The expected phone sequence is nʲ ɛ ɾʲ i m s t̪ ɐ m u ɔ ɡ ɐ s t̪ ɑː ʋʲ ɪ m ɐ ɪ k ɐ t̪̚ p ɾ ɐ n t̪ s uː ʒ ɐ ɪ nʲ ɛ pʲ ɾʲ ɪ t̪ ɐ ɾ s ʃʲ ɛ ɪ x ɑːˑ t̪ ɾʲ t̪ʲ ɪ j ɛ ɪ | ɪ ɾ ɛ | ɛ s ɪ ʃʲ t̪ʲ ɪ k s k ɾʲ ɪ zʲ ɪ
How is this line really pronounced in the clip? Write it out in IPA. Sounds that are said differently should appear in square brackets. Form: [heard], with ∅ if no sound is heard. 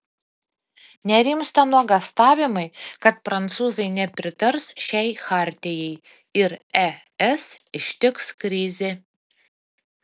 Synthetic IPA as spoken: nʲ ɛ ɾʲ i m s t̪ ɐ [n] u ɔ ɡ ɐ s t̪ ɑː ʋʲ ɪ m ɐ ɪ k ɐ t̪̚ p ɾ ɐ n t̪ s uː [z] ɐ ɪ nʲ ɛ pʲ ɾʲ ɪ t̪ ɐ ɾ s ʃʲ ɛ ɪ x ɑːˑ [∅] ɾʲ t̪ʲ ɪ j ɛ ɪ | ɪ ɾ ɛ | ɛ s ɪ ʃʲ t̪ʲ ɪ k s k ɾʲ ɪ zʲ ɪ